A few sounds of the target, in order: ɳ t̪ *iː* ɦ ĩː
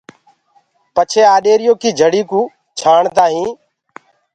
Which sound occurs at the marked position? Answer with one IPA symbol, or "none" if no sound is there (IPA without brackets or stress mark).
aː